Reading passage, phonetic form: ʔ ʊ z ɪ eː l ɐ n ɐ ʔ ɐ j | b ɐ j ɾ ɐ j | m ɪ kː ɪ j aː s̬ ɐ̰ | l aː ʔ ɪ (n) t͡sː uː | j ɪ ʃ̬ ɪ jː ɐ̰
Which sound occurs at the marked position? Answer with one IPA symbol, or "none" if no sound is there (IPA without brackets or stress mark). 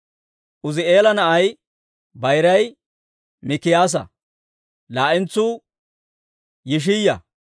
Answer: n